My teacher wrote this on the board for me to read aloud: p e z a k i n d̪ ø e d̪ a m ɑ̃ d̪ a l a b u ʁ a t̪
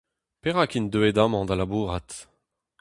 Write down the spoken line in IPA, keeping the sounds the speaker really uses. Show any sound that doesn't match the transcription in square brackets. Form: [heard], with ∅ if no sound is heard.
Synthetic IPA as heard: p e [ʁ] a k i n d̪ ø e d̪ a m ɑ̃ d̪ a l a b u ʁ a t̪

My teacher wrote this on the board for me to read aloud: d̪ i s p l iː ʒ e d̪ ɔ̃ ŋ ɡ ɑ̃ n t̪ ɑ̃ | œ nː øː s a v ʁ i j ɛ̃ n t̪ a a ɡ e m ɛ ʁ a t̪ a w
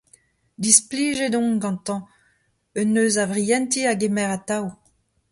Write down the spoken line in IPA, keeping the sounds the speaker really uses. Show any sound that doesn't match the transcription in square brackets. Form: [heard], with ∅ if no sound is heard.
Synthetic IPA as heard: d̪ i s p l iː ʒ e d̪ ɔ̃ ŋ ɡ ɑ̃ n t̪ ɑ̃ | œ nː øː [z] a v ʁ i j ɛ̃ n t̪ [i] a ɡ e m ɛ ʁ a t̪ a w

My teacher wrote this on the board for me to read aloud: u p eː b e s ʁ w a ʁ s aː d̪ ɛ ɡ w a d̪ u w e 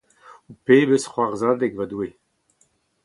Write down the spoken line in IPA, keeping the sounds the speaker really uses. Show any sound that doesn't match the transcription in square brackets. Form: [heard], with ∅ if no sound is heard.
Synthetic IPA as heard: u p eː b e s [χ] w a ʁ [z] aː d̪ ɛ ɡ [v] a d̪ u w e

